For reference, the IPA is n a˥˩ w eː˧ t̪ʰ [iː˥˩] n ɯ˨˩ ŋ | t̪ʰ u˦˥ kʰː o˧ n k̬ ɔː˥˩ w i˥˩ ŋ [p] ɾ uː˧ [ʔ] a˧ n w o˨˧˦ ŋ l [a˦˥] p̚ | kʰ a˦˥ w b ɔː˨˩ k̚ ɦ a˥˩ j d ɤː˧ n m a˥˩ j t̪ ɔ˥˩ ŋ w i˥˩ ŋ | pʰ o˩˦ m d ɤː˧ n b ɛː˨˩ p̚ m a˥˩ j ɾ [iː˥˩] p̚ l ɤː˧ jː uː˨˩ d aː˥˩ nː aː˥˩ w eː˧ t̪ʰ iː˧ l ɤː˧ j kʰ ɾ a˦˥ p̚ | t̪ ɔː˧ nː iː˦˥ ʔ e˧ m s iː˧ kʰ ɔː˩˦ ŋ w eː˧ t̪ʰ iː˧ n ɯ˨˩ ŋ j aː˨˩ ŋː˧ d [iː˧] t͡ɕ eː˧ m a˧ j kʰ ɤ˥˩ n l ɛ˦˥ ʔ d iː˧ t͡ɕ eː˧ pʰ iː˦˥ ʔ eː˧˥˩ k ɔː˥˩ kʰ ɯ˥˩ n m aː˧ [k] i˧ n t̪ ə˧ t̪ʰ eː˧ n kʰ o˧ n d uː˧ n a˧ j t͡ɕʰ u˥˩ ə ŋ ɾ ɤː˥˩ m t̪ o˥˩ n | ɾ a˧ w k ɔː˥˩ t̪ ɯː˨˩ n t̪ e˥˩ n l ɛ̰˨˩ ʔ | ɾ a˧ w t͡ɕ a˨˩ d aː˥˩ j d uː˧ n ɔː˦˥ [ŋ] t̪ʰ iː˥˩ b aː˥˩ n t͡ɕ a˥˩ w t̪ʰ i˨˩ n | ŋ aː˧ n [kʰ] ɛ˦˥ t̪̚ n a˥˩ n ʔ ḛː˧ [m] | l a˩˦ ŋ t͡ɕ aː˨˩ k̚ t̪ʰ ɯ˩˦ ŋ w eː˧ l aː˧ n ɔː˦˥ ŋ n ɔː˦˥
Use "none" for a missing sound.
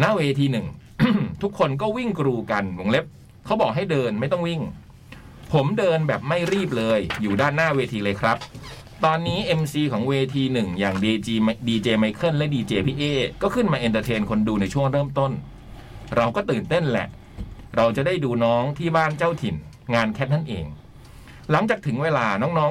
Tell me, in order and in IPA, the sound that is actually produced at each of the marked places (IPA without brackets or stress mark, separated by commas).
iː˧, k, k, e˦˥, iː˥˩, iː˧, ʔ, ŋ, kʰ, ŋ